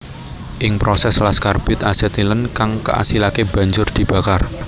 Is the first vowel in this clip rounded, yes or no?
no